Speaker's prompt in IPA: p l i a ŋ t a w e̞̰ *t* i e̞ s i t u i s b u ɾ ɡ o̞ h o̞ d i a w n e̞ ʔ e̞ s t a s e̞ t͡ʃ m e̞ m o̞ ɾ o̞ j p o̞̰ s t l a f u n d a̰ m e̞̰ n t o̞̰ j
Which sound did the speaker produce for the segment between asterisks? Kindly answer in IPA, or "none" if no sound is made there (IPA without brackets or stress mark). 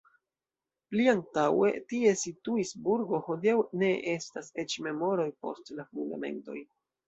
t